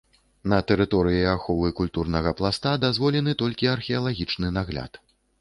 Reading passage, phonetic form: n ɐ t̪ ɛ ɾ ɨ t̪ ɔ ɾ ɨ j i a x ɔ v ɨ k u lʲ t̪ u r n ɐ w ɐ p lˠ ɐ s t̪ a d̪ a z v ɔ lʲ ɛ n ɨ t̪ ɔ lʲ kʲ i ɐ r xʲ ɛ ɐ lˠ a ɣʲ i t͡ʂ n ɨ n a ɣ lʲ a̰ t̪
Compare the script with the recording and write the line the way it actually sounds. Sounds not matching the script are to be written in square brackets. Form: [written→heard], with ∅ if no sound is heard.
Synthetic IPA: n ɐ t̪ ɛ ɾ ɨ t̪ ɔ ɾ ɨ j i a x ɔ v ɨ k u lʲ t̪ u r n ɐ [w→ɣ] ɐ p lˠ [ɐ→a] s t̪ a d̪ a z v ɔ lʲ ɛ n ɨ t̪ ɔ lʲ kʲ i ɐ r xʲ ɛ ɐ lˠ a ɣʲ i t͡ʂ n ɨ n a ɣ lʲ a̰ t̪